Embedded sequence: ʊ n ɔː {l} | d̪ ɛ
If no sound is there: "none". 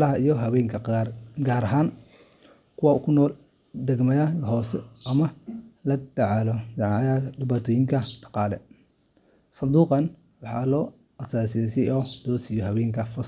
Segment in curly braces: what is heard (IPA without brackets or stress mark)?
l